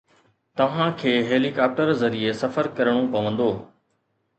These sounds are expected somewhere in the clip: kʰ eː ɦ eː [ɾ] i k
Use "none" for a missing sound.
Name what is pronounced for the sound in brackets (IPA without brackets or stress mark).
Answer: l